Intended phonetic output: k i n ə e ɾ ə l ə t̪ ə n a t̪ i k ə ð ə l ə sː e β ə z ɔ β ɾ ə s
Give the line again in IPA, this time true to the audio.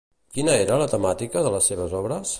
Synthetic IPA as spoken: k i n ə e ɾ ə l ə t̪ ə m a t̪ i k ə ð ə l ə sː e β ə z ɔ β ɾ ə s